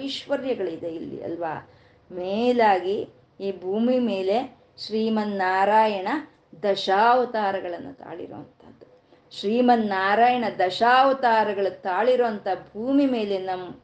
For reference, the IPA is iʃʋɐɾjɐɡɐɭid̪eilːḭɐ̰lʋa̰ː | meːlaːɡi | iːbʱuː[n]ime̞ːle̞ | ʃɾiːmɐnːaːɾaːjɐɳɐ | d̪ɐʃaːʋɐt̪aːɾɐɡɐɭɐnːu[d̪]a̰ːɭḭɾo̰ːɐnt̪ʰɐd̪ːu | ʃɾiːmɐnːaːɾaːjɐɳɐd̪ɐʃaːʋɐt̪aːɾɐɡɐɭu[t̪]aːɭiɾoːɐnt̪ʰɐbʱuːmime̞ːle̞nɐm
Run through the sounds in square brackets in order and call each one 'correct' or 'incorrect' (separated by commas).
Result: incorrect, incorrect, correct